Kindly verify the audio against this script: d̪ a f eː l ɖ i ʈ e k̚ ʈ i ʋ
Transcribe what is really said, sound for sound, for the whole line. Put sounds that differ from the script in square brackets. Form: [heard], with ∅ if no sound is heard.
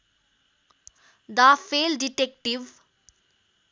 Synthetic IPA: d̪ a f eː l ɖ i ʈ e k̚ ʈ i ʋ